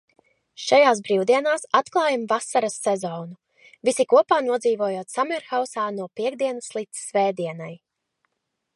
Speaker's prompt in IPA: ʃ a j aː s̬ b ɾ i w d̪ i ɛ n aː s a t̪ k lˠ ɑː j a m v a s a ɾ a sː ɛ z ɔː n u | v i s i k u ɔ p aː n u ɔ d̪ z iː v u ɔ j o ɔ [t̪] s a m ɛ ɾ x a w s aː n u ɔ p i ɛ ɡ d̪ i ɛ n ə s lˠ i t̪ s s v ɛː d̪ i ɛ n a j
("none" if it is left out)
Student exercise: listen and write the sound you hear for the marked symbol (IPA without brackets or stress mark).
t̪